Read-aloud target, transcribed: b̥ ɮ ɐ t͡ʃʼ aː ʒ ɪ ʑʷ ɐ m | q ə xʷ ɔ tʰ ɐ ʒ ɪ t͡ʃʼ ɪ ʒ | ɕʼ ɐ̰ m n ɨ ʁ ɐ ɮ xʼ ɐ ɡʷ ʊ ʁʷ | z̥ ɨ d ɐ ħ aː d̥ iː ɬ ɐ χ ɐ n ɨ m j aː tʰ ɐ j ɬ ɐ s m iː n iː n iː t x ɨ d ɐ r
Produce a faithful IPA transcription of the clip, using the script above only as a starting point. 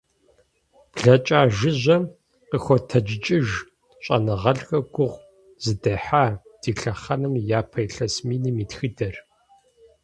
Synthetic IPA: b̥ ɮ ɐ t͡ʃʼ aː ʒ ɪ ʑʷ ɐ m | q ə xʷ ɔ tʰ ɐ d͡ʒ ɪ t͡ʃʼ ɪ ʒ | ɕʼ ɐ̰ n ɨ ʁ ɐ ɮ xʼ ɐ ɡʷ ʊ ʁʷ | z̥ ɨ d ɐ ħ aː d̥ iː ɬ ɐ χ ɐ n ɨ m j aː pʰ ɐ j ɬ ɐ s m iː n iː m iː t x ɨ d ɐ r